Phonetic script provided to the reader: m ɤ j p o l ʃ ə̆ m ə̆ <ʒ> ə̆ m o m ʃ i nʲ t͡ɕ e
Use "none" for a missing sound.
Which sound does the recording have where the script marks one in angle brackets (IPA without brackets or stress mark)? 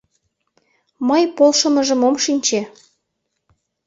ʒ